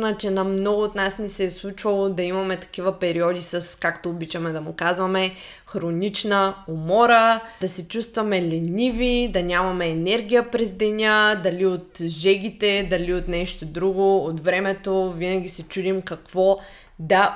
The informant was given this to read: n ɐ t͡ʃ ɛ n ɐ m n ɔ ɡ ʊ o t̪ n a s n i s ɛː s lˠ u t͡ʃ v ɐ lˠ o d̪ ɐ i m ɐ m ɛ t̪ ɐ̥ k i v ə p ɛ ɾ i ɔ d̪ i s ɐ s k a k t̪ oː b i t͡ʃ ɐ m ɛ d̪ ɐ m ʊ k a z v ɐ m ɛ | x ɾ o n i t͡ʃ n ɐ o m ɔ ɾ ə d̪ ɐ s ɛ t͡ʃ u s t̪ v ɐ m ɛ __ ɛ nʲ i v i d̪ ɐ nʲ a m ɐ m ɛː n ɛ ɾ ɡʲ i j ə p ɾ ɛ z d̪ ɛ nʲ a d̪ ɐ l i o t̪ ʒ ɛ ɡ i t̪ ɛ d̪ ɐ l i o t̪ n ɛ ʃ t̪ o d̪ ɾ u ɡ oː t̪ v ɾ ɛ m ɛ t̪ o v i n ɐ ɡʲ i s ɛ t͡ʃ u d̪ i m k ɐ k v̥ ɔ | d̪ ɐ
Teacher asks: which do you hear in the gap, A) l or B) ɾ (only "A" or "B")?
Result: A